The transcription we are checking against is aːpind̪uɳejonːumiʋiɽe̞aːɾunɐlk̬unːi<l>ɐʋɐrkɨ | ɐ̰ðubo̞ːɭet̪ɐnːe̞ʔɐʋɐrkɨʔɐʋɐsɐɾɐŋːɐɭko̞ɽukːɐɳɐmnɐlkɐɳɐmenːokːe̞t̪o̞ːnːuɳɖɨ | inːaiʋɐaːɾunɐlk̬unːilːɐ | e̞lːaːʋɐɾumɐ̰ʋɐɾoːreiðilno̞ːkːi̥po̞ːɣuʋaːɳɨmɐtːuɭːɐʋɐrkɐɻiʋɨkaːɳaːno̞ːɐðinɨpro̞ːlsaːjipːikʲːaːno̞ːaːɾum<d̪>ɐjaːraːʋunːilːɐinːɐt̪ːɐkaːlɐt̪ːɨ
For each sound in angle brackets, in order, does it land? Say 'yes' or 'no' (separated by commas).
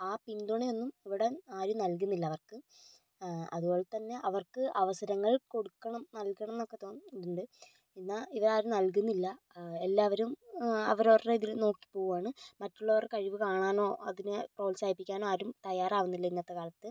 no, no